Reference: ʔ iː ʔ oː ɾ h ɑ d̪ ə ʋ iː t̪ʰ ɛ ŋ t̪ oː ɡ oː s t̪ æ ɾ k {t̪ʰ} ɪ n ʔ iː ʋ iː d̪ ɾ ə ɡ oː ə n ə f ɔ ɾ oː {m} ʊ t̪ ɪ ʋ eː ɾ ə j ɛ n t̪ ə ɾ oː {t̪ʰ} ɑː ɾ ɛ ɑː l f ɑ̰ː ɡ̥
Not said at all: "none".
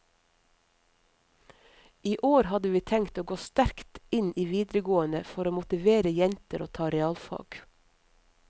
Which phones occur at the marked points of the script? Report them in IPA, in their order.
t̪, m, t̪ʰ

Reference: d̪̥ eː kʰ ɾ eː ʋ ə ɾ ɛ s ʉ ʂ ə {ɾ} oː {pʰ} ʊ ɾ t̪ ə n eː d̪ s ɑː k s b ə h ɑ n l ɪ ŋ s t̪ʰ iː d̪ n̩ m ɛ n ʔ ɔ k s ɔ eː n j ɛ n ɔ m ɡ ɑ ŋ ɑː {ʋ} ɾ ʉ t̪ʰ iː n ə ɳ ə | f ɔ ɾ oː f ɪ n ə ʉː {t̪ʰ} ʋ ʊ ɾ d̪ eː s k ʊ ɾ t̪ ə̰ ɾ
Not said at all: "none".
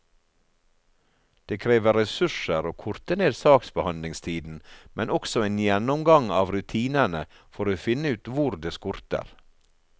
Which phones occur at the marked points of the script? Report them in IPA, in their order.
ɾ, kʰ, ʋ, t̪

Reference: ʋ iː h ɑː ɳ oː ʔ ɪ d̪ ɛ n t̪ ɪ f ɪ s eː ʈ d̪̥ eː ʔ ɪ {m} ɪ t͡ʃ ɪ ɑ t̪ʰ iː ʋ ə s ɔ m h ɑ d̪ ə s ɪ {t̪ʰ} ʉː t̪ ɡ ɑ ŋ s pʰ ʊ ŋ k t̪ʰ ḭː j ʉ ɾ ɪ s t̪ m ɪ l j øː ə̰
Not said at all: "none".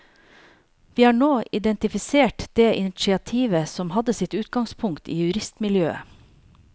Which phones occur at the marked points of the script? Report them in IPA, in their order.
n, t̪

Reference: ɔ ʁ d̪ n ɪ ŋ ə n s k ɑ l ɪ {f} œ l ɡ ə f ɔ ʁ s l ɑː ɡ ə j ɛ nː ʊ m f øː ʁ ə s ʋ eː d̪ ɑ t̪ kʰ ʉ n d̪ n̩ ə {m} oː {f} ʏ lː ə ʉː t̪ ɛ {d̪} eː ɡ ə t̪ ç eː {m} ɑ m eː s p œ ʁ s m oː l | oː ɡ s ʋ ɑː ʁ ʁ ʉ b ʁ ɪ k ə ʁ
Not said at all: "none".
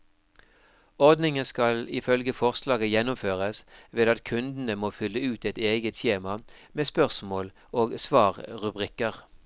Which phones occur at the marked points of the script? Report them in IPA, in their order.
f, m, f, t̪, m

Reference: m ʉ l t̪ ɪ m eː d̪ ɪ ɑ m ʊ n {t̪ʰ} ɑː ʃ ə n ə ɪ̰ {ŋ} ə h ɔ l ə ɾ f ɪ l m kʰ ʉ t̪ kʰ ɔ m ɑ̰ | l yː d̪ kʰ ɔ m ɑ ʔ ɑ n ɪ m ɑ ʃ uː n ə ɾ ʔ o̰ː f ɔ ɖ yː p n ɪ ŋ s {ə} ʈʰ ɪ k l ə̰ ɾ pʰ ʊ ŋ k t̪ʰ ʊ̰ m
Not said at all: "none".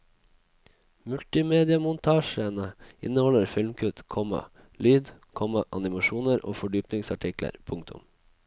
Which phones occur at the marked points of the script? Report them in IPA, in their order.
t̪ʰ, n, ɑ

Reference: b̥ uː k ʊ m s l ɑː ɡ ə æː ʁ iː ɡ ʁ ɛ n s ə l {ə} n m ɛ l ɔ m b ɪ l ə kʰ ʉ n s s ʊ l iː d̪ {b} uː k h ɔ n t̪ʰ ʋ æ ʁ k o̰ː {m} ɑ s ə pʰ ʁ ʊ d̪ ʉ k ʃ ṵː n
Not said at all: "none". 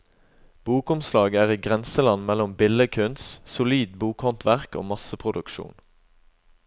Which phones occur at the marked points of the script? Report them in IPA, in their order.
ɑ, b, m

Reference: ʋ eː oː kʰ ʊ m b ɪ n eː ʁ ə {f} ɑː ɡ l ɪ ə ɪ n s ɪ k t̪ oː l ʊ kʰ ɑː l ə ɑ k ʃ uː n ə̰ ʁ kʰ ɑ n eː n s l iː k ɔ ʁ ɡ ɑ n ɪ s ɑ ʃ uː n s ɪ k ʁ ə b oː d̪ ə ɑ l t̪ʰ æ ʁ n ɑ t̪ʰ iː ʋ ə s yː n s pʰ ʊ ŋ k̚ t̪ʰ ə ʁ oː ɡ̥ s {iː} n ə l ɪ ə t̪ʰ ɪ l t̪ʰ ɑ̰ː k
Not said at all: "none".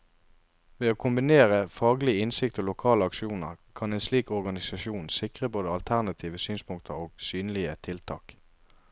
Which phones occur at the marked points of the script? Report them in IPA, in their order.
f, yː

